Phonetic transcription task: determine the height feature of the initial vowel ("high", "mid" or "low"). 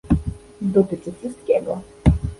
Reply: mid